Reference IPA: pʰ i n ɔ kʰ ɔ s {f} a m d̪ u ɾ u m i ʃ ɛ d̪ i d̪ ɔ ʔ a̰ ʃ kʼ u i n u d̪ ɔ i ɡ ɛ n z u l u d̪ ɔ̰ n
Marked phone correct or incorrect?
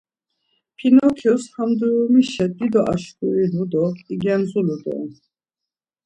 incorrect